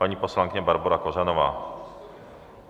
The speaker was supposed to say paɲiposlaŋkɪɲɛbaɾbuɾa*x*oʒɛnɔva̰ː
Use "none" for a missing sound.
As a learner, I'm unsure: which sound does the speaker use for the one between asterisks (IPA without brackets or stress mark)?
k